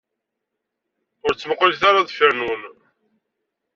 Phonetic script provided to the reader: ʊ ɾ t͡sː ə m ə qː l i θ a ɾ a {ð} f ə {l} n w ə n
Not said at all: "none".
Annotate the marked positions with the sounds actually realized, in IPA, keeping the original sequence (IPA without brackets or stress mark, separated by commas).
ð, ɾ